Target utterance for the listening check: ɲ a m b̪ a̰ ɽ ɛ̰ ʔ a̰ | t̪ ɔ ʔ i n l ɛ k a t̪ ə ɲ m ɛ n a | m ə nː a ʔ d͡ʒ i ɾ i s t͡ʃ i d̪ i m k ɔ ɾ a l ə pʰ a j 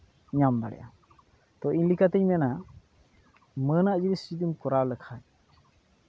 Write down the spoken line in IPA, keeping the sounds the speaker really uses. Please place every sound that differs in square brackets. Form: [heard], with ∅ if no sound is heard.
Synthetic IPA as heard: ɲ a m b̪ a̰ ɽ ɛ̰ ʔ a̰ | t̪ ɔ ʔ i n l [i] k a t̪ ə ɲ m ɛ n a | m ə [n] a ʔ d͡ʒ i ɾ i s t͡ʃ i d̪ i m k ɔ ɾ a l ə [kʰ] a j